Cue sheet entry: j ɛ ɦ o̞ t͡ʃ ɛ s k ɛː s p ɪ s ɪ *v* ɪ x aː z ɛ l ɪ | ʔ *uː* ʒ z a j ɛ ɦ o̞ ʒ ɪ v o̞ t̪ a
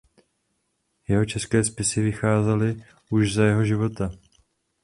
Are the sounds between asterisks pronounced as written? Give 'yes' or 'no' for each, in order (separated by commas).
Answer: yes, no